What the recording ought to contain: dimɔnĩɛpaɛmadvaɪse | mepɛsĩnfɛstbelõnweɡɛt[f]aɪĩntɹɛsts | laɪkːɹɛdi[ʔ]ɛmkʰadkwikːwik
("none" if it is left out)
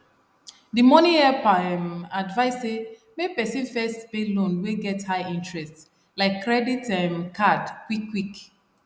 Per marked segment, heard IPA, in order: h, t

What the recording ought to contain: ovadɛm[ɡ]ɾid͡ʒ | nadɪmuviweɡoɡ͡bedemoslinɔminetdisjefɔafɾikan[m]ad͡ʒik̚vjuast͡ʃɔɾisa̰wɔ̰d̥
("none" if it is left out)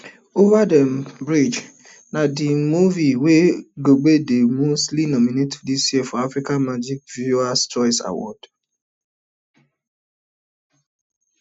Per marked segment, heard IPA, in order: b, m

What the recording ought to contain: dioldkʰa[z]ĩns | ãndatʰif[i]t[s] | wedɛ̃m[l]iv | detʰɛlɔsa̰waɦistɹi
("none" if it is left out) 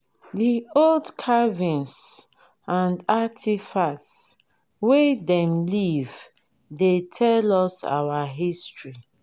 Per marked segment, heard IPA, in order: v, a, s, l

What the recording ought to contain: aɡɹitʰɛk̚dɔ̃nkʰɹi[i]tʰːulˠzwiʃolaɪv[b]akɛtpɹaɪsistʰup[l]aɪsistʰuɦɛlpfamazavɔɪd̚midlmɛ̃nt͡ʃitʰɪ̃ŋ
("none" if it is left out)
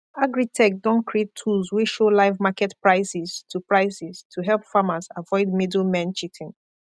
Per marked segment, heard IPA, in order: e, m, ɹ

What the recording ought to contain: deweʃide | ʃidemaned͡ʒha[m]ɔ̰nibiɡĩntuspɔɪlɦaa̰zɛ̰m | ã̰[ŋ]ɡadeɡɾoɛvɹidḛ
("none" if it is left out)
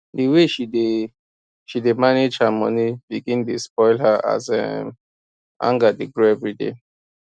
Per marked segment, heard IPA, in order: m, ŋ

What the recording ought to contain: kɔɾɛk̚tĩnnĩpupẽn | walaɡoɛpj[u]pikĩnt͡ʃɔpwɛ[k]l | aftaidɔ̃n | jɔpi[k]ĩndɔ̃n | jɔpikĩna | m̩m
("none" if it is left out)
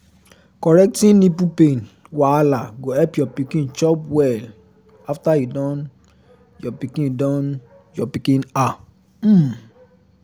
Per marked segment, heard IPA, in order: ɔ, none, k

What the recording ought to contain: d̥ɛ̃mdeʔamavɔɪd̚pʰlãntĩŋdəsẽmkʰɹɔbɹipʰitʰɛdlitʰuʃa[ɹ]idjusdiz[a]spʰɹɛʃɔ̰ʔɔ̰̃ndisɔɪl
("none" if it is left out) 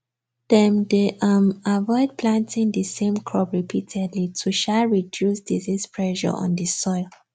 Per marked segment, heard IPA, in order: ɹ, i

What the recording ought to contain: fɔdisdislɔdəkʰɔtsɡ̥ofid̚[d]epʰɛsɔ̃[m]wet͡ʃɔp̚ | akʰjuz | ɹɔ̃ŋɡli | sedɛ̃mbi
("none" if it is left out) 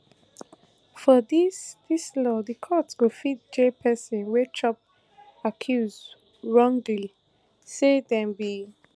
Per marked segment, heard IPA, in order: d͡ʒ, n

